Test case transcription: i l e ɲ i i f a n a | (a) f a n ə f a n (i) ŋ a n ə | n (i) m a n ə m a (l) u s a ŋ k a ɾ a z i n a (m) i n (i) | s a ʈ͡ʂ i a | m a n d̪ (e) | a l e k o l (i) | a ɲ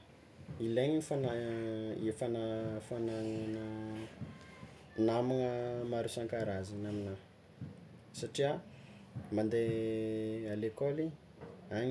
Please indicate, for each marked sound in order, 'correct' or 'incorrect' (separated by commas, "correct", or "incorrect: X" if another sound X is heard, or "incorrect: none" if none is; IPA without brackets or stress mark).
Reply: incorrect: e, incorrect: a, incorrect: a, incorrect: ɾ, correct, incorrect: a, correct, correct